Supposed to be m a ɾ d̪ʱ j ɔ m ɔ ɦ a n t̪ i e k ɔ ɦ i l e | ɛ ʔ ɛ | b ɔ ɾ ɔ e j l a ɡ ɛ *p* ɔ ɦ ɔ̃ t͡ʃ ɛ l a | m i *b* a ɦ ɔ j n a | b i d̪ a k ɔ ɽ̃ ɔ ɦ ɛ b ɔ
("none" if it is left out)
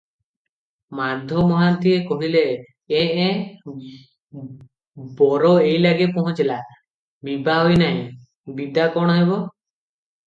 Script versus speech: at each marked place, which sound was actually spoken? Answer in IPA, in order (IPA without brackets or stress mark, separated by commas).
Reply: p, b